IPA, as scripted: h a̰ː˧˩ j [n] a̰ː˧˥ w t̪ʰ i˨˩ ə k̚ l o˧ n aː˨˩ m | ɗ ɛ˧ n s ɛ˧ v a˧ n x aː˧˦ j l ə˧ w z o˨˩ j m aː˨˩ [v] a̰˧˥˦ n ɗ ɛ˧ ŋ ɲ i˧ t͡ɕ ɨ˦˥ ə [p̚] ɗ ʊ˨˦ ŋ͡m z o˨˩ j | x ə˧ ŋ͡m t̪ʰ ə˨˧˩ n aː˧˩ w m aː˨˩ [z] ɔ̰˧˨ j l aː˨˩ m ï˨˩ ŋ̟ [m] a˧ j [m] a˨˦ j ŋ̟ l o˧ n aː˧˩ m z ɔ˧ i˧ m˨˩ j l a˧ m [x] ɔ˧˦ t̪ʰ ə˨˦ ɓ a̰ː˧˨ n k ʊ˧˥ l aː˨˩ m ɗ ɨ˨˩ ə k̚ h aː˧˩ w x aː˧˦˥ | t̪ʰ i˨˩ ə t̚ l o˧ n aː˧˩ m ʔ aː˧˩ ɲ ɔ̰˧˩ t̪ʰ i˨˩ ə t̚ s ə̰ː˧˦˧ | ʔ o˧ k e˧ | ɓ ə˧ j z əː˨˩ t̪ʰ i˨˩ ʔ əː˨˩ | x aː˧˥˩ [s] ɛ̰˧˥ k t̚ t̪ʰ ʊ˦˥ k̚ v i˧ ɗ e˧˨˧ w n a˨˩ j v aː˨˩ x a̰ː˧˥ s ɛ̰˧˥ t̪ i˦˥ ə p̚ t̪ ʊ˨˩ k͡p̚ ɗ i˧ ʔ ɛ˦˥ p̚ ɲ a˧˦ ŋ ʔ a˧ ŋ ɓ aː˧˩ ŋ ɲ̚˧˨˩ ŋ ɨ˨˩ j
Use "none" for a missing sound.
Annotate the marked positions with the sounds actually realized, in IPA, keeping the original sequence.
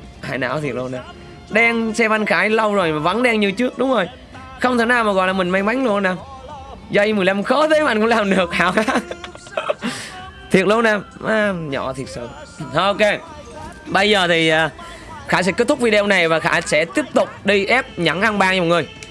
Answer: n, v, k̚, ɣ, m, m, x, s

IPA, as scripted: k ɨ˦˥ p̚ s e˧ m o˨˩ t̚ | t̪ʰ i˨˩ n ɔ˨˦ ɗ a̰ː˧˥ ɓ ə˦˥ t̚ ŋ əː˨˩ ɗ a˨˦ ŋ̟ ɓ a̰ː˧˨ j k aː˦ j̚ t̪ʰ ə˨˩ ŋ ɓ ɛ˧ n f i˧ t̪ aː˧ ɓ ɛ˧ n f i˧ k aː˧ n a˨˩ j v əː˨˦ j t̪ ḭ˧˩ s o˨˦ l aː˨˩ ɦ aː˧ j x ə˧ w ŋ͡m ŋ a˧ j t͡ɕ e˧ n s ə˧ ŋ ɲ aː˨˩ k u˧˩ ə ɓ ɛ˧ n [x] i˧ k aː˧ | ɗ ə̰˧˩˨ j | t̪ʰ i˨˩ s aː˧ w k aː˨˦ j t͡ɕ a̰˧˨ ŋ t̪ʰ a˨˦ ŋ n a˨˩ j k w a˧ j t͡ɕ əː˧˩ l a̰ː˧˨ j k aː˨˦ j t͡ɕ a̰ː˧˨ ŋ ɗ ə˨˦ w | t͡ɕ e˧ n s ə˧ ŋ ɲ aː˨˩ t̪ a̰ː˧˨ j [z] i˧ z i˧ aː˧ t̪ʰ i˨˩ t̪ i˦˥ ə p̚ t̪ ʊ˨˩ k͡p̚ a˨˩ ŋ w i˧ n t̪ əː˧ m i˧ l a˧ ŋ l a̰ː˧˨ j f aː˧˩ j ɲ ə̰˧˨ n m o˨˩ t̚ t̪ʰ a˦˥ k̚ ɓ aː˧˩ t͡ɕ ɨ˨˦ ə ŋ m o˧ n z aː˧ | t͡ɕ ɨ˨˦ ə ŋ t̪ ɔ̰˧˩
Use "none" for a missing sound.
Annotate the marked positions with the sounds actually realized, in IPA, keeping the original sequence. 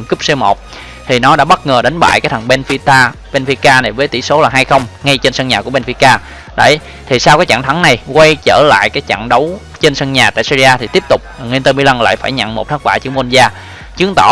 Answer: f, s

